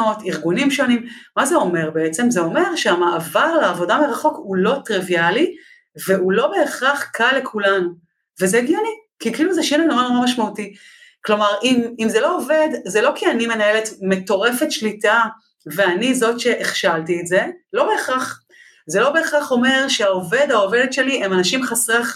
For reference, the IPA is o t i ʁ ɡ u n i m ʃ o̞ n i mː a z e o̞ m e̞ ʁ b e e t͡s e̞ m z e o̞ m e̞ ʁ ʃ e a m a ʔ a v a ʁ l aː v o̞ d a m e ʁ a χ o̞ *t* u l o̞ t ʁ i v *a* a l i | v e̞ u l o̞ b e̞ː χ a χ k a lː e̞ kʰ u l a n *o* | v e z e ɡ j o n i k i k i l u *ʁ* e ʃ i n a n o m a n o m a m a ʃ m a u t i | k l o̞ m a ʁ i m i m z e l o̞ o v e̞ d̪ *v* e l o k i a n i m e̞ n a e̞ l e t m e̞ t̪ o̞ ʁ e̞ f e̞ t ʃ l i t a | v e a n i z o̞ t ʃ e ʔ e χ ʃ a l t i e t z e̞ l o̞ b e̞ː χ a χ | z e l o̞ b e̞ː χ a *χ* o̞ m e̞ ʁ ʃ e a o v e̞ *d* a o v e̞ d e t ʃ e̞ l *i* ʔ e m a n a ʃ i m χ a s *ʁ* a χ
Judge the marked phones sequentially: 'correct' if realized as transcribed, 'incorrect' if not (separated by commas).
incorrect, incorrect, incorrect, incorrect, incorrect, correct, correct, correct, correct